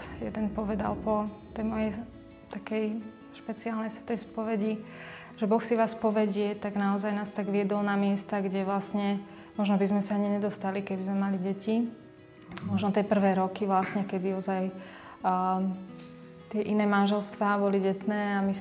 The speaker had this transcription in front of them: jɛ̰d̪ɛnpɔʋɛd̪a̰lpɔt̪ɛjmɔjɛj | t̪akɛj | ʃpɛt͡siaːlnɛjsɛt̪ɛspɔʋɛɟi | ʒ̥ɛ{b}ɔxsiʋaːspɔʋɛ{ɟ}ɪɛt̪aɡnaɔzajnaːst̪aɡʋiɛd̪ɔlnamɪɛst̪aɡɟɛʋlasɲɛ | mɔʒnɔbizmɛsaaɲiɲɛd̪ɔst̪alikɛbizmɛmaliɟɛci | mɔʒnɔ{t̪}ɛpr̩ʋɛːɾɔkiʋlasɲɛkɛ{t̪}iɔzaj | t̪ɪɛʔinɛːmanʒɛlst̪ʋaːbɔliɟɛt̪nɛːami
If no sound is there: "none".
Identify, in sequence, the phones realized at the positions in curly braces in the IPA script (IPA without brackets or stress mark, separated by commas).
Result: b, ɟ, t̪, d̪